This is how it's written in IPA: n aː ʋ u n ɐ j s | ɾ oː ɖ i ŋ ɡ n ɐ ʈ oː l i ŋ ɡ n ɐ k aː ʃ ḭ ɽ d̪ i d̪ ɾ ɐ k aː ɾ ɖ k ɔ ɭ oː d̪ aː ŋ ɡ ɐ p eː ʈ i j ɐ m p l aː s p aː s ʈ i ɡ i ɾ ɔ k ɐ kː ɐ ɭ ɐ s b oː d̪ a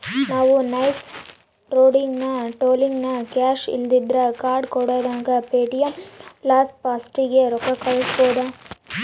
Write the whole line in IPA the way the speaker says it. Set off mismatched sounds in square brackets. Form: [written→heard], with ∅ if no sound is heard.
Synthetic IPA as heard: n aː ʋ u n ɐ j s | ɾ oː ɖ i ŋ ɡ n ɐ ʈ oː l i ŋ ɡ n ɐ k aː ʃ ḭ [ɽ→l] d̪ i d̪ ɾ ɐ k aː ɾ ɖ k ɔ [ɭ→ɽ] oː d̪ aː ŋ ɡ ɐ p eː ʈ i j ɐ m p l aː s p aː s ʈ i ɡ [i→e] ɾ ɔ k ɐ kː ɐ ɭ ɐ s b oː d̪ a